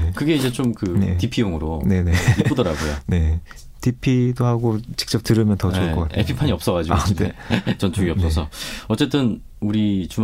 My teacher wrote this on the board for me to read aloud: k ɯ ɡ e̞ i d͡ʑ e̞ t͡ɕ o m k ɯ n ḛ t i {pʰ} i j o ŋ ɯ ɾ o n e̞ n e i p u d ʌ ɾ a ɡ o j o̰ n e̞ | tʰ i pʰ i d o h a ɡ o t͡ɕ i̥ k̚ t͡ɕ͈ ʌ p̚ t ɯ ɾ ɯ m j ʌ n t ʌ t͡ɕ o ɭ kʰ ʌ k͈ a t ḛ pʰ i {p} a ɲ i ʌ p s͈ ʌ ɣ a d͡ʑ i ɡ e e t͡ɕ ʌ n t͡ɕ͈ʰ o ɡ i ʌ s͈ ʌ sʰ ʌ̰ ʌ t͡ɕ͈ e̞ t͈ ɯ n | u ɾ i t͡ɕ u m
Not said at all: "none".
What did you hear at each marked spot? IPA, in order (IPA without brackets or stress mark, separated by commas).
pʰ, pʰ